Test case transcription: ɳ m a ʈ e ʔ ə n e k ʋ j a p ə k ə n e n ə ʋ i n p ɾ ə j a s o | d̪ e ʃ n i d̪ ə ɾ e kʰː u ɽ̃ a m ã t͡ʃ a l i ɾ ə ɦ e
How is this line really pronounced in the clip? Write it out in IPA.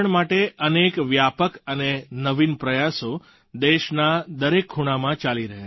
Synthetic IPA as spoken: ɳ m a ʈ e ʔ ə n e k ʋ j a p ə k ə n e n ə ʋ i n p ɾ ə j a s o | d̪ e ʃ n a d̪ ə ɾ e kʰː u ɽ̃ a m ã t͡ʃ a l i ɾ ə ɦ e